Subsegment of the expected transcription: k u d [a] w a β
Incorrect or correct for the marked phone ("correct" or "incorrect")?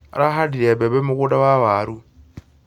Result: correct